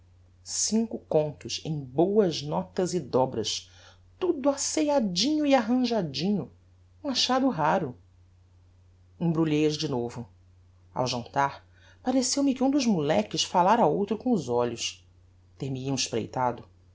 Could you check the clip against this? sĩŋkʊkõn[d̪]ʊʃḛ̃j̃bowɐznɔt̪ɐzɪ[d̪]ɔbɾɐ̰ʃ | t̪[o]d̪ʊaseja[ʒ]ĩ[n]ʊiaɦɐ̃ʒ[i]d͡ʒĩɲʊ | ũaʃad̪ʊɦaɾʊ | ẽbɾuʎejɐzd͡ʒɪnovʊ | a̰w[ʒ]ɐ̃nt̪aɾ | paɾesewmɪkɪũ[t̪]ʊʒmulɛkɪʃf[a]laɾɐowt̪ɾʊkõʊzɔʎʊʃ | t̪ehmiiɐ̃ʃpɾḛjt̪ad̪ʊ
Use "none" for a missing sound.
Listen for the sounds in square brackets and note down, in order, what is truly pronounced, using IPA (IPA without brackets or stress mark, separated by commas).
t̪, d̪, u, d͡ʒ, ɲ, a, ʒ, d̪, a